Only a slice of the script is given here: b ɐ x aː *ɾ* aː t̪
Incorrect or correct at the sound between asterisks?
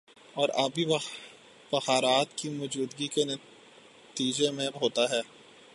correct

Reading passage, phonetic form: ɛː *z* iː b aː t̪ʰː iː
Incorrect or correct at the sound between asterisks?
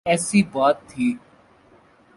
incorrect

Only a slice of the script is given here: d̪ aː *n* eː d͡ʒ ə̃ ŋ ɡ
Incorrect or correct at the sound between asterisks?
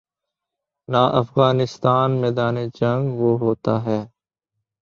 correct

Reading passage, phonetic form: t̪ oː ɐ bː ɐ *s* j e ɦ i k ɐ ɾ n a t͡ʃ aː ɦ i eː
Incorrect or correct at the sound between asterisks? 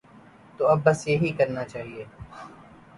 correct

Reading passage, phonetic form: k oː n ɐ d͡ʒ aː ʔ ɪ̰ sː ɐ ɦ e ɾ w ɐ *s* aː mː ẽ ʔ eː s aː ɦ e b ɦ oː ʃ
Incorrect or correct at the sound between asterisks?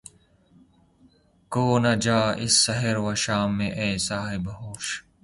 incorrect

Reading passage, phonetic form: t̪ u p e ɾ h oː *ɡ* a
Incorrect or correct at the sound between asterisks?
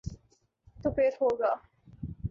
correct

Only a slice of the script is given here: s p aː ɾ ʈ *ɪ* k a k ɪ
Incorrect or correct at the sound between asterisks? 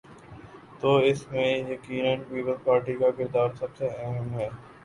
incorrect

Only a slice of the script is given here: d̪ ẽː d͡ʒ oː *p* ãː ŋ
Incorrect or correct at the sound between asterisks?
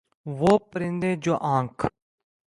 incorrect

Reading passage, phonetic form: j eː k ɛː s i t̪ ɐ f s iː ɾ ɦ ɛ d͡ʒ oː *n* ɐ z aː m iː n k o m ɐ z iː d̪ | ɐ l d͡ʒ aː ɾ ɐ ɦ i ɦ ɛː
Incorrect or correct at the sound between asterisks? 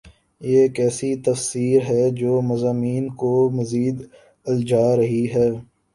incorrect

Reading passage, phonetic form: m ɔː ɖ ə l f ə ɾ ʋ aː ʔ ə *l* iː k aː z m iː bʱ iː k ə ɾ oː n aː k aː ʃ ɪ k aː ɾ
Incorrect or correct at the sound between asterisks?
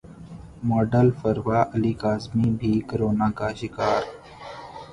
correct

